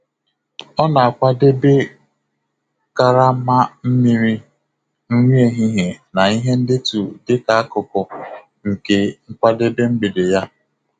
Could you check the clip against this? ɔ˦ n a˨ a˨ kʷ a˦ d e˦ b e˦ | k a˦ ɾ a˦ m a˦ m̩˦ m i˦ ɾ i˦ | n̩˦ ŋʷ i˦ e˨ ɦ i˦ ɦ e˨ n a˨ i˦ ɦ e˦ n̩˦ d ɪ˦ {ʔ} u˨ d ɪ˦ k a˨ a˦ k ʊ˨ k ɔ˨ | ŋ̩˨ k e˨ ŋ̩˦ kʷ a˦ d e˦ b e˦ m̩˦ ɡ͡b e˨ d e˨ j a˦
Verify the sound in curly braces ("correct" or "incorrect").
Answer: incorrect